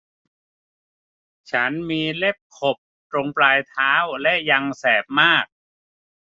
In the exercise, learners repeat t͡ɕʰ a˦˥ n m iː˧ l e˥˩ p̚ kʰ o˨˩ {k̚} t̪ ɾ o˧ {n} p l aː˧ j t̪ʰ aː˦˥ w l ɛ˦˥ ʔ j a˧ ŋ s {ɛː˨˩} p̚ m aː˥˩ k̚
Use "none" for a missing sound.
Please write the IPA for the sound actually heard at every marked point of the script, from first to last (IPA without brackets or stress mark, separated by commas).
p̚, ŋ, ɛː˨˩